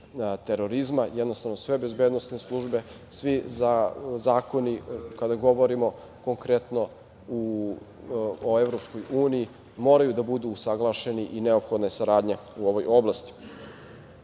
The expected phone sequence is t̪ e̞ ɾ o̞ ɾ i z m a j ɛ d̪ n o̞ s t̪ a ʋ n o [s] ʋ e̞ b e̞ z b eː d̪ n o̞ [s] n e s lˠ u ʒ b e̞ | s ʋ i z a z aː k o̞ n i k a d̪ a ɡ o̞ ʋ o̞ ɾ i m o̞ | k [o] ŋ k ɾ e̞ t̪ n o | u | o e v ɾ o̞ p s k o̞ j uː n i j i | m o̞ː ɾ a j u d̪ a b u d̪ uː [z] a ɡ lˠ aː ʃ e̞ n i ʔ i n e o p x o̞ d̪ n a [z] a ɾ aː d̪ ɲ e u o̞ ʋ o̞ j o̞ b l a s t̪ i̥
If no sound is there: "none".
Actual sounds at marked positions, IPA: s, s, o, s, s

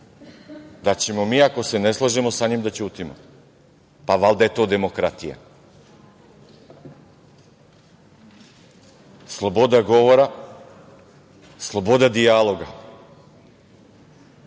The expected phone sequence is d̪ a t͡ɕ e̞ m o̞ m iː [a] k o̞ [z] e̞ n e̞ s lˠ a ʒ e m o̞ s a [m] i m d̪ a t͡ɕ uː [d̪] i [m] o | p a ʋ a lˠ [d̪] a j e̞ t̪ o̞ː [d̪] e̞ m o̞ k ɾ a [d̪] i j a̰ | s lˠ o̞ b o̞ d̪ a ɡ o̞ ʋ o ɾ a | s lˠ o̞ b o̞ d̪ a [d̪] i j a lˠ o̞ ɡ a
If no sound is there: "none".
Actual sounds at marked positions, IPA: a, s, ɲ, t̪, m, d̪, d̪, t̪, d̪

